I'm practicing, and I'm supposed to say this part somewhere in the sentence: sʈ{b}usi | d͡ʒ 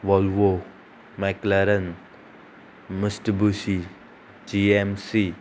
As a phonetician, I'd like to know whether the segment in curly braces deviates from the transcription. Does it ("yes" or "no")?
no